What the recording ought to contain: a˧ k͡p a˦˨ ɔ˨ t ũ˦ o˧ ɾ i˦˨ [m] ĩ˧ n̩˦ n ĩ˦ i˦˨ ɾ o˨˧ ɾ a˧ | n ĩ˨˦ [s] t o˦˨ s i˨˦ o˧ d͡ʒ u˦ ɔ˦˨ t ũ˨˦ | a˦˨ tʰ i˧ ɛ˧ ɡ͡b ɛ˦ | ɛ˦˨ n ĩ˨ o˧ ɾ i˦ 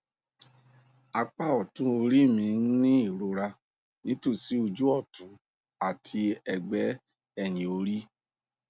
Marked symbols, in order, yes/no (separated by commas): yes, no